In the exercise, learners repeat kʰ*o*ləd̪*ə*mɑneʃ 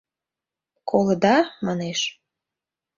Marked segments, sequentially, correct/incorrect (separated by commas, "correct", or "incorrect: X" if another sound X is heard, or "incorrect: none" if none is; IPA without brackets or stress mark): correct, incorrect: ɑ